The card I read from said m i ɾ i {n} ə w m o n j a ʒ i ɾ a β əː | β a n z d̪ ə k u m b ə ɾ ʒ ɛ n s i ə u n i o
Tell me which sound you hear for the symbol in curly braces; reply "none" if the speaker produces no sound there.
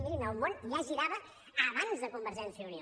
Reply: n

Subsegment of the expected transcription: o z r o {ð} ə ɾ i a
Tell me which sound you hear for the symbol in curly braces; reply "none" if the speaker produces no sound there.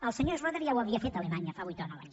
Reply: ð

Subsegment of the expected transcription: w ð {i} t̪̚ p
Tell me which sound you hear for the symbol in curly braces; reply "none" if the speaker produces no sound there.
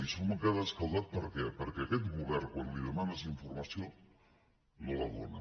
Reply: a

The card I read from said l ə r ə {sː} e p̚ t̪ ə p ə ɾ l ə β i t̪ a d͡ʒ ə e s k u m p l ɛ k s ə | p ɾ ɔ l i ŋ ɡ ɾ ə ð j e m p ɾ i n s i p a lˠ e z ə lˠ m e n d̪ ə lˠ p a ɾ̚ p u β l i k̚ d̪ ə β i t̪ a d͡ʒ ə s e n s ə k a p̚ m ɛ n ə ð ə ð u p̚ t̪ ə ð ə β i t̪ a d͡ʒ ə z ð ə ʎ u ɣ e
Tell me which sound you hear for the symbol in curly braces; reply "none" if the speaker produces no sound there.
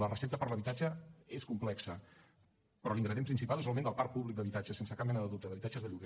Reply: s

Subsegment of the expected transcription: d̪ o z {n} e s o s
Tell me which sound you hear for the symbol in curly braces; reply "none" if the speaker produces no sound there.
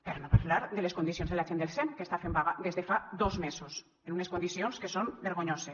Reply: m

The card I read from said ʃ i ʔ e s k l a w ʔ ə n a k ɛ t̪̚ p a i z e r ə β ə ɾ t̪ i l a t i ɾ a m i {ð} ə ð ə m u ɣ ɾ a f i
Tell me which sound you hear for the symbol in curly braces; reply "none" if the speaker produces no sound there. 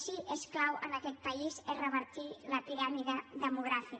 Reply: ð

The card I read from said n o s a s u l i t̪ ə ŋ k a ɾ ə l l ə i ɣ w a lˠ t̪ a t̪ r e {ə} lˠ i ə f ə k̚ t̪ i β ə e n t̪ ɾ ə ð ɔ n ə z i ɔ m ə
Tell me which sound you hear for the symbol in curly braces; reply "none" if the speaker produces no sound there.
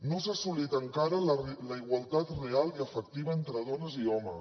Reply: a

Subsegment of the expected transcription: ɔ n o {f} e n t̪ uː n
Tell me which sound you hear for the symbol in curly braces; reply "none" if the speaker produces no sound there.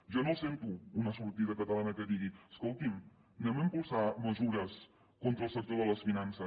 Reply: s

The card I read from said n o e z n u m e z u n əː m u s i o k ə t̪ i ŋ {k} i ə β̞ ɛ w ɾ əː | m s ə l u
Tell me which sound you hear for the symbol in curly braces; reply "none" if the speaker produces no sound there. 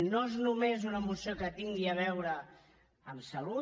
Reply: ɡ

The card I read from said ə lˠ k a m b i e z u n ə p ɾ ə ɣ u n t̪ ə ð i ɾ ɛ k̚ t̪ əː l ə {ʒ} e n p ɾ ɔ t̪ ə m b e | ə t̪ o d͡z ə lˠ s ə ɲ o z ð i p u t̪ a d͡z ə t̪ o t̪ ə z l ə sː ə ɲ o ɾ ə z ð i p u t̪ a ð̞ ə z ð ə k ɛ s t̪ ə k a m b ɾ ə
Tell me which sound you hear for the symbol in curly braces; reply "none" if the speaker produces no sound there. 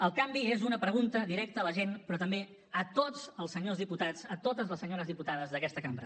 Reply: ʒ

